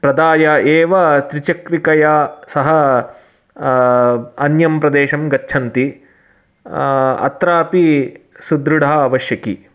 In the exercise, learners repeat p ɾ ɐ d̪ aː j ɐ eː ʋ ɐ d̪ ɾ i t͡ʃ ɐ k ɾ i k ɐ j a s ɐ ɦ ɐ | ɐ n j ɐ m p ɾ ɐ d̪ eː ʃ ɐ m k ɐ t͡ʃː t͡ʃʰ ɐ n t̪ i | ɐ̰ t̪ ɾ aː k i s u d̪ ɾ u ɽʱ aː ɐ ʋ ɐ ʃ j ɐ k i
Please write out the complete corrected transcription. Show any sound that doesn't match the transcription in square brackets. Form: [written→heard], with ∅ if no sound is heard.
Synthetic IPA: p ɾ ɐ d̪ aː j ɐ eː ʋ ɐ [d̪→t̪] ɾ i t͡ʃ ɐ k ɾ i k ɐ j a s ɐ ɦ ɐ | ɐ n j ɐ m p ɾ ɐ d̪ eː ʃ ɐ m [k→ɡ] ɐ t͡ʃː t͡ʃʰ ɐ n t̪ i | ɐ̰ t̪ ɾ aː [k→p] i s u d̪ ɾ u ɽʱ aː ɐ ʋ ɐ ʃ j ɐ k i